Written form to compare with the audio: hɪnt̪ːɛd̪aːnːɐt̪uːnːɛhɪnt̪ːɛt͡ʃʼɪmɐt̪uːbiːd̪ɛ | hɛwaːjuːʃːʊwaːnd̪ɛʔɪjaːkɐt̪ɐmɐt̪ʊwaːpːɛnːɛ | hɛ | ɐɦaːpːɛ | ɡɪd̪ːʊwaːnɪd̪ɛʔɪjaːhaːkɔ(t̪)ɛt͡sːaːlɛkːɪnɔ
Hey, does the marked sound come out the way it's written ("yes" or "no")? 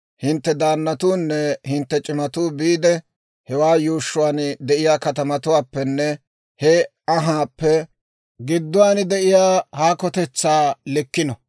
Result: yes